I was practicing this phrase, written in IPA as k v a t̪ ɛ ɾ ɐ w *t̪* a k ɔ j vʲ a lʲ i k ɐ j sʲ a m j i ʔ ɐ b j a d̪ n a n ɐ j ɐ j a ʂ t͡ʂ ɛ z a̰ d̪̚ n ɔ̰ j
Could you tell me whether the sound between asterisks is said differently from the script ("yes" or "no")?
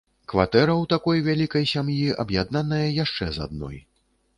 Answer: no